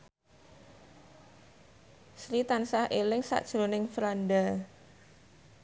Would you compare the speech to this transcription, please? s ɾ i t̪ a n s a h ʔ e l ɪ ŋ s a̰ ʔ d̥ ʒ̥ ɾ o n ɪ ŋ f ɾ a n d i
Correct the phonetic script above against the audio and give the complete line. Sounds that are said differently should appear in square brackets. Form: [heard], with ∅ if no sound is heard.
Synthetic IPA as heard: s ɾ i t̪ a n s a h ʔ e l ɪ ŋ s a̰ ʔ d̥ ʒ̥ ɾ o n ɪ ŋ f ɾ a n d [a]